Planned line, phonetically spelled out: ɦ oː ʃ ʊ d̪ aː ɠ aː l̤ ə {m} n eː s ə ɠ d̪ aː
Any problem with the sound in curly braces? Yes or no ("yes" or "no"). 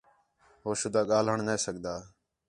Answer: yes